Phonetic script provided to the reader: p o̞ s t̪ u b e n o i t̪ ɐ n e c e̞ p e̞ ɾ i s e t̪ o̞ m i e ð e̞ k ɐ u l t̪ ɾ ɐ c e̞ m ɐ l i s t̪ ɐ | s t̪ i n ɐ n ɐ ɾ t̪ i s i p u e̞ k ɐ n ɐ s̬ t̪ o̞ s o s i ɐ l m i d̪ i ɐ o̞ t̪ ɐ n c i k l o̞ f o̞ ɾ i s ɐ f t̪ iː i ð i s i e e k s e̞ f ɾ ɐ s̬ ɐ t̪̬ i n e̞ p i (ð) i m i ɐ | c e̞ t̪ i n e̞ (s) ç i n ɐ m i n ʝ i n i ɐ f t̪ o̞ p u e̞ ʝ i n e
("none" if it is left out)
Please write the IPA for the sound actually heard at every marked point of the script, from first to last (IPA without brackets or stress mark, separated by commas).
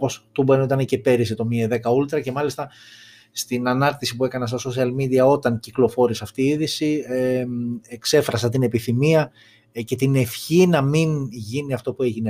θ, f